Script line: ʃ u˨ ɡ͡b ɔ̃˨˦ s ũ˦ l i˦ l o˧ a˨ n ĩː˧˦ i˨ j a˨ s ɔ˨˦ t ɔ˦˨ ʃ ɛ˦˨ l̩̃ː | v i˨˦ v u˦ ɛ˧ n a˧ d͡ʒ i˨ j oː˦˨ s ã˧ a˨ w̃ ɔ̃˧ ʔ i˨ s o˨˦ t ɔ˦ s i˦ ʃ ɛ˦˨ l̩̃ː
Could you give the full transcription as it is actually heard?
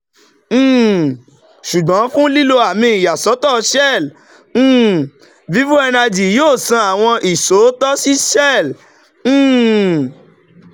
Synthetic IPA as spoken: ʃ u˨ ɡ͡b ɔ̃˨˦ f ũ˦ l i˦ l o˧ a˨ m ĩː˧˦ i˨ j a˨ s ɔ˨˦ t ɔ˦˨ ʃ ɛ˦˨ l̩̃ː | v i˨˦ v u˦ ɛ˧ n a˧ d͡ʒ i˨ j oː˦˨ s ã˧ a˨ w̃ ɔ̃˧ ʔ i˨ s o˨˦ t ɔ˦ s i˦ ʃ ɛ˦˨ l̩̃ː